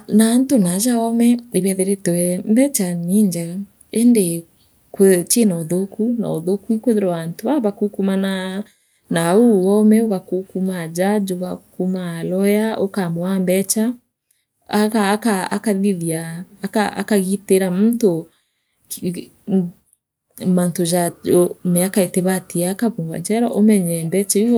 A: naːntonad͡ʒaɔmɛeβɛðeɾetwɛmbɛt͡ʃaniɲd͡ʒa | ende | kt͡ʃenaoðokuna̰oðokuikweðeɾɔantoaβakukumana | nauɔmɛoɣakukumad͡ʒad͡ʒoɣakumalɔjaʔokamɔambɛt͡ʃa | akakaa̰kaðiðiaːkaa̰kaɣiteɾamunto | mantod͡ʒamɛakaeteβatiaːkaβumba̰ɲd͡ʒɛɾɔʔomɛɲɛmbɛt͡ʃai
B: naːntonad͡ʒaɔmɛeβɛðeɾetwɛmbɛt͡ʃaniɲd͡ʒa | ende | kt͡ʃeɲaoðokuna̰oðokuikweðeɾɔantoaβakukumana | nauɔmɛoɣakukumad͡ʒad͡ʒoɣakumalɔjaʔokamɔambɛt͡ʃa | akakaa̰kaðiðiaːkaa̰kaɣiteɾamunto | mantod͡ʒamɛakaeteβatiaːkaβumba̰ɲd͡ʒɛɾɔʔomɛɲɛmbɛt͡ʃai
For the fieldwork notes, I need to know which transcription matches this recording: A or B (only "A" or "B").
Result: A